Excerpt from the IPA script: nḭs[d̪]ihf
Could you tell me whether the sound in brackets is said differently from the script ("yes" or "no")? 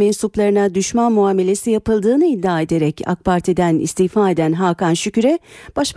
yes